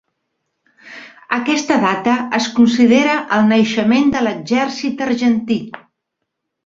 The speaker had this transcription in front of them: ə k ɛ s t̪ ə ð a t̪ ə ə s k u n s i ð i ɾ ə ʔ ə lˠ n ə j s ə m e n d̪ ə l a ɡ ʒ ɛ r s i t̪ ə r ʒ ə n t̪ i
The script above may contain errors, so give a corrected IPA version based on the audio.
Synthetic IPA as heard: ə k ɛ s t̪ ə ð a t̪ ə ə s k u n s i ð e ɾ ə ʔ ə lˠ n ə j ʃ ə m e n d̪ ə l ə ɡ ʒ ɛ r s i t̪ ə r ʒ ə n t̪ i